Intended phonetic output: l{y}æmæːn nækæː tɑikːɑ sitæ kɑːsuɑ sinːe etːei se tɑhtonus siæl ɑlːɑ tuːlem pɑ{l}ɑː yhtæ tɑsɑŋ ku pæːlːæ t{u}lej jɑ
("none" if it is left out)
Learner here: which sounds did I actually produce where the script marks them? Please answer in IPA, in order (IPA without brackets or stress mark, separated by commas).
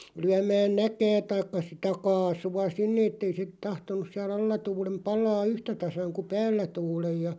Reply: y, l, uː